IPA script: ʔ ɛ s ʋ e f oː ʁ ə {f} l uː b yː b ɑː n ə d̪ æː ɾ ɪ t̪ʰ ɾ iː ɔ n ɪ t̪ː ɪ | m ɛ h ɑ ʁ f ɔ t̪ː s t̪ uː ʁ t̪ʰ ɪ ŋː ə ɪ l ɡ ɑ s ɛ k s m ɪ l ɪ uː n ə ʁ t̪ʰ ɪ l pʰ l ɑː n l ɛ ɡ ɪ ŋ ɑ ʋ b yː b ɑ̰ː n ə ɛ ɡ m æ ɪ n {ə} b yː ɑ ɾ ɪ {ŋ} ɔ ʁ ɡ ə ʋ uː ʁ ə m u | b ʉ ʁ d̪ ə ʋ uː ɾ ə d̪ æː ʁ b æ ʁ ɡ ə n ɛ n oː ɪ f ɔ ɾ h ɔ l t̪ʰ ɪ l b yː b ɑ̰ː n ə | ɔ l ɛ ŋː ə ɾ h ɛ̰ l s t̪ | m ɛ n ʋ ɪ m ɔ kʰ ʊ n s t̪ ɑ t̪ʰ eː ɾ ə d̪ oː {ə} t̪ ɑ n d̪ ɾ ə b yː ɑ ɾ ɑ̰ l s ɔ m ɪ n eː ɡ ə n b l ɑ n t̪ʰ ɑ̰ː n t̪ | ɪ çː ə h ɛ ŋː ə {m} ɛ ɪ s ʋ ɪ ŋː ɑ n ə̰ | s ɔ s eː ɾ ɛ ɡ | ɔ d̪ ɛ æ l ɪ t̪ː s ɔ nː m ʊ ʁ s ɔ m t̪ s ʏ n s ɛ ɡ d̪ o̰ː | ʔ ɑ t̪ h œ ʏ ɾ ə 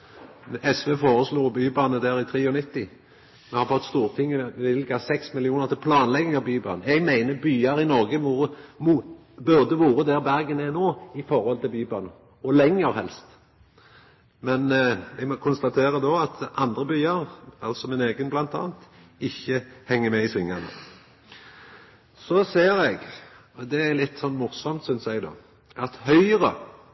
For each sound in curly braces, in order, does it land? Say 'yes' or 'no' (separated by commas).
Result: no, yes, no, no, yes